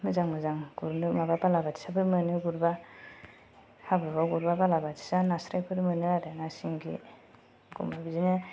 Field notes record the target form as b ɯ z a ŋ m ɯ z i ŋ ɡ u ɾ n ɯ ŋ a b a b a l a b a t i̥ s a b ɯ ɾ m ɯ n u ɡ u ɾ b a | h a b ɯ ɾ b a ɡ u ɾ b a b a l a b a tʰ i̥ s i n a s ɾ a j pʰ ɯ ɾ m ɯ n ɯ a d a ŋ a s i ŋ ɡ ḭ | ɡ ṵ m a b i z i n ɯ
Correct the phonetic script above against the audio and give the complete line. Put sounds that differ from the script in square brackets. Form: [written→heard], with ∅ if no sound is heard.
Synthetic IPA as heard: [b→m] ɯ z a ŋ m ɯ z [i→a] ŋ ɡ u ɾ n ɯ [ŋ→m] a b a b a l a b a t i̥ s a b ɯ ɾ m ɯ n [u→ɯ] ɡ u ɾ b a | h a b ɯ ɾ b a ɡ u ɾ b a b a l a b a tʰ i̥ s [i→a] n a s ɾ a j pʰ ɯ ɾ m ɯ n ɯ a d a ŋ a s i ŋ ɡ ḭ | ɡ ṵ m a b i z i n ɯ